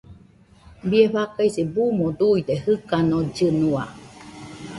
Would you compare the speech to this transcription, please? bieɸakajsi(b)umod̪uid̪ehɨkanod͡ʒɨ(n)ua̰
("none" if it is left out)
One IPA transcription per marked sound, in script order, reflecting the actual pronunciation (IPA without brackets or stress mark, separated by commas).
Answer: b, n